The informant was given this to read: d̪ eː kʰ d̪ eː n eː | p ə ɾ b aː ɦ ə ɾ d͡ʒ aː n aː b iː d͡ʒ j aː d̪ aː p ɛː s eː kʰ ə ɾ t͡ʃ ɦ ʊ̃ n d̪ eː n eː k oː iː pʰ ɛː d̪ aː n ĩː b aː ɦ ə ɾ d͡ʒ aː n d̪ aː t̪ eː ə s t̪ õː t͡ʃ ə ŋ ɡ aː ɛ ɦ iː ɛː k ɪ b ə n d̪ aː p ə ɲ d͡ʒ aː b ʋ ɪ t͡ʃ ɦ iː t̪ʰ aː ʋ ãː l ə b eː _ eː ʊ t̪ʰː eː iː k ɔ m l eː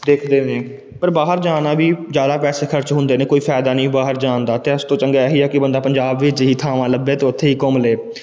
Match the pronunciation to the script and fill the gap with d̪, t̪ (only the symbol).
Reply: t̪